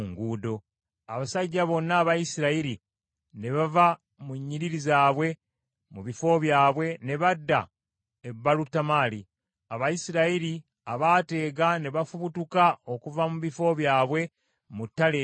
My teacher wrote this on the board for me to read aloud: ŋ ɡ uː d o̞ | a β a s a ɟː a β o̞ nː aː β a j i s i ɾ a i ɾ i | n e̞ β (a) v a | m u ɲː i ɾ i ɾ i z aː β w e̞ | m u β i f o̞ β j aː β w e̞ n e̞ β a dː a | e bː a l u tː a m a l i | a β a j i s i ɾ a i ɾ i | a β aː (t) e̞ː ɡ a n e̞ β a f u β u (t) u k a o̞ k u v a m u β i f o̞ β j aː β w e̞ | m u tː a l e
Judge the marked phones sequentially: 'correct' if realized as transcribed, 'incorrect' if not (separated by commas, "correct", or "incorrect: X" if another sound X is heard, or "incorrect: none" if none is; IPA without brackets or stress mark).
correct, correct, correct